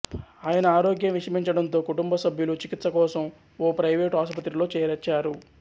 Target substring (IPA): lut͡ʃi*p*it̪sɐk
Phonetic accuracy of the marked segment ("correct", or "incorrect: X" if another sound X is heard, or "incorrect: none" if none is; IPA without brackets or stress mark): incorrect: k